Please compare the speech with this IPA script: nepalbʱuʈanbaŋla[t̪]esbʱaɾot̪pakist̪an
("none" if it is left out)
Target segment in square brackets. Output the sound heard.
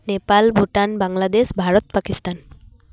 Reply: d̪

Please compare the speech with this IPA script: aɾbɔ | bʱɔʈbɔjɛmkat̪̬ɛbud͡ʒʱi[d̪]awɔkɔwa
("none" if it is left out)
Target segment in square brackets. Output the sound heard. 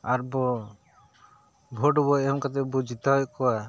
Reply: t̪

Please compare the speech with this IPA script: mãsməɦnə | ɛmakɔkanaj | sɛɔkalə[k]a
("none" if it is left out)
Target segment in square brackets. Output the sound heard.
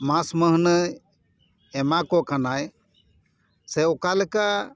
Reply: k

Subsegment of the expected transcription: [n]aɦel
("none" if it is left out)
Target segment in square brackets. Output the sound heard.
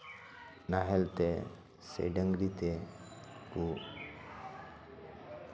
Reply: n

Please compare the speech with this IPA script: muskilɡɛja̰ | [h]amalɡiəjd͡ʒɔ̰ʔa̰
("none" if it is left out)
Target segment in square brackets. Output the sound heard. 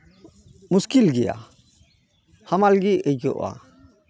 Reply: h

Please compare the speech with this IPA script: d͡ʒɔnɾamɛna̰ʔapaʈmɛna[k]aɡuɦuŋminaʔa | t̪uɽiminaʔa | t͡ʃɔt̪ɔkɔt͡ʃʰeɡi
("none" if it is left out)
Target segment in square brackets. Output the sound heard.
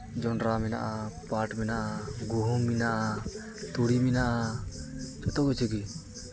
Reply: ʔ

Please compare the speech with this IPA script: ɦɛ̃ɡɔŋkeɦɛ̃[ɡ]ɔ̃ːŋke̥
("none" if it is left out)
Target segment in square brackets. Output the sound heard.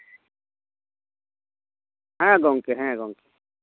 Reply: ɡ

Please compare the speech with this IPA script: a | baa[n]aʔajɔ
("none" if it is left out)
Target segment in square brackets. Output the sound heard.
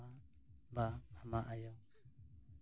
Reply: m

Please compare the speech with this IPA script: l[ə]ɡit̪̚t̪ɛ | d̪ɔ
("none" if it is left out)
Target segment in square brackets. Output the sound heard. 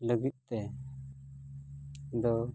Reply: ə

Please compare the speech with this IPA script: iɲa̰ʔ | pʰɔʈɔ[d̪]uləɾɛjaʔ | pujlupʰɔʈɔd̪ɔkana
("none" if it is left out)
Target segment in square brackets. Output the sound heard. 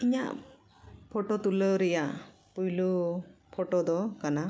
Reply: t̪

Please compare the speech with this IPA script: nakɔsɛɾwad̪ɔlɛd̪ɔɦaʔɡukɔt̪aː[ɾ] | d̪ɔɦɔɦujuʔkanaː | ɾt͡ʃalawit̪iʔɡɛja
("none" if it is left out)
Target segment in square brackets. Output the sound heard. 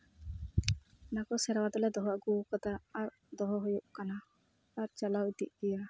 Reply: ɾ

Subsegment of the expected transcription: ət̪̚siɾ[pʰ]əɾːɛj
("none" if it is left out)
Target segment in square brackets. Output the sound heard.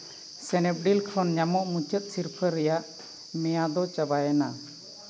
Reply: pʰ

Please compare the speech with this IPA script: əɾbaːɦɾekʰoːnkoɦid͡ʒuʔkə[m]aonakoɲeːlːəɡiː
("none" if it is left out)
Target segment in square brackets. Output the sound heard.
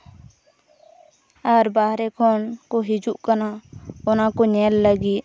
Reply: n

